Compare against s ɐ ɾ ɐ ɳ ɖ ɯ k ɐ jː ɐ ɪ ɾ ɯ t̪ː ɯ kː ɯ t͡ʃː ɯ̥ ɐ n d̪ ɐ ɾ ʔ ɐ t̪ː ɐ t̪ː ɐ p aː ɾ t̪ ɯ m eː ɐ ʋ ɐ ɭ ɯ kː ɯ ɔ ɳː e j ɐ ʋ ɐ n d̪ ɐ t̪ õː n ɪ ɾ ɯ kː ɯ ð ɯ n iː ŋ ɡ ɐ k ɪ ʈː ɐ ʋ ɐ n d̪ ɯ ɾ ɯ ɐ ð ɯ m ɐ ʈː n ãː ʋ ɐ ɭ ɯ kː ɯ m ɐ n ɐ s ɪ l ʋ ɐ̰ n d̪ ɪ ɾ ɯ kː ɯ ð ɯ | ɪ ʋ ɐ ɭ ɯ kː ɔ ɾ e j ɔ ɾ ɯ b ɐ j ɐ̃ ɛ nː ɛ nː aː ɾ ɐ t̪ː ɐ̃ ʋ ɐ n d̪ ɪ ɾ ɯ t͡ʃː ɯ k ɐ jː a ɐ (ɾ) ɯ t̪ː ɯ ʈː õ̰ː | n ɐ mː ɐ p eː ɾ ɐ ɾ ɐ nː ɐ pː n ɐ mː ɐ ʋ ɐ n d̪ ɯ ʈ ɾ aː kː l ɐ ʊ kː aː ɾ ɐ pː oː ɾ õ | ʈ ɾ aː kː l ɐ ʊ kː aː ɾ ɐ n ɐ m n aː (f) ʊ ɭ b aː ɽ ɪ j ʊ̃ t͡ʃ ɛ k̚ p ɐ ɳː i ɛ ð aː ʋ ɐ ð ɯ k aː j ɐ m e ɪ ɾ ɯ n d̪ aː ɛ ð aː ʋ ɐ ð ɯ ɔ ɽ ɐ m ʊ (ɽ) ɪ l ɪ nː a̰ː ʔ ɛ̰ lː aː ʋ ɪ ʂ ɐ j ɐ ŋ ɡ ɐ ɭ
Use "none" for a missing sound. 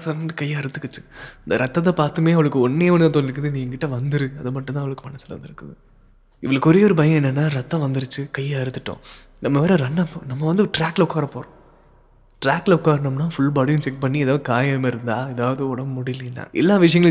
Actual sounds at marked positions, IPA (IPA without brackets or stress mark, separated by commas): ɾ, f, ɽ